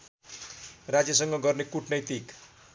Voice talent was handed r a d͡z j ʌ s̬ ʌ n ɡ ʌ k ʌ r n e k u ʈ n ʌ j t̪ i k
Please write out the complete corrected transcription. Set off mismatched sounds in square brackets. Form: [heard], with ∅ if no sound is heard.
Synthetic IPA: r a d͡z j ʌ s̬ ʌ [ŋ] ɡ ʌ [ɡ] ʌ r n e k u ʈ n ʌ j t̪ i k

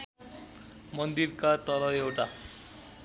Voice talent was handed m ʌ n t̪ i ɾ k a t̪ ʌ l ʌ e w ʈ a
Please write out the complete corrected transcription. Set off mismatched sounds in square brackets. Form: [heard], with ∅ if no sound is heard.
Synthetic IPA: m ʌ n [d̪] i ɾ k a t̪ ʌ l ʌ e w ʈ a

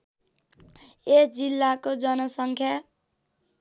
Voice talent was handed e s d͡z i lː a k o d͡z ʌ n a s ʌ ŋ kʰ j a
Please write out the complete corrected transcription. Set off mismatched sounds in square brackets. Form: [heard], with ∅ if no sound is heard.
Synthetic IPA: e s d͡z i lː a k o d͡z ʌ n [ʌ] s ʌ ŋ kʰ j a

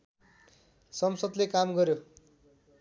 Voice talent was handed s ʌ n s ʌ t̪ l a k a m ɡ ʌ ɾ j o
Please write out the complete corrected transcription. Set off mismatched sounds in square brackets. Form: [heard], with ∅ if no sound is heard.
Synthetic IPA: s ʌ [m] s ʌ [d̪] l [e] k a m ɡ ʌ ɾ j o

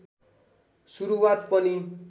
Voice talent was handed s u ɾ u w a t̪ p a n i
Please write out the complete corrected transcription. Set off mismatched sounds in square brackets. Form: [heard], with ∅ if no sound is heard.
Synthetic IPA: s u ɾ u w a t̪ p [ʌ] n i

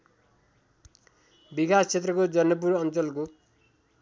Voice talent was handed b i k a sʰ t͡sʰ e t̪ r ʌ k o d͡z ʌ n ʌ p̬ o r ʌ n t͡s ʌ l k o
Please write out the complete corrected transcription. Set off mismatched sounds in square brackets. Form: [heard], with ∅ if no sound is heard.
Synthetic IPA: b i k a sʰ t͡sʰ e t̪ r ʌ k o d͡z ʌ n ʌ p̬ [u] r ʌ n t͡s ʌ l k o

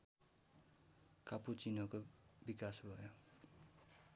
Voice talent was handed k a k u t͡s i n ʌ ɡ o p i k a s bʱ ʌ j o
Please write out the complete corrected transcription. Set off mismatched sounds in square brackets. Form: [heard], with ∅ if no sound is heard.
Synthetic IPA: k a [p] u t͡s i n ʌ [k] o [b] i k a s bʱ ʌ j o

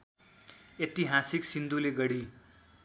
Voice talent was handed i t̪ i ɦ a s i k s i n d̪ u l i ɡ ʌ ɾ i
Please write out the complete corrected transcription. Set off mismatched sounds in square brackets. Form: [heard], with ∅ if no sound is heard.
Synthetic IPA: [e] t̪ i ɦ a s i k s i n d̪ u l [e] ɡ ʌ [ɽ] i

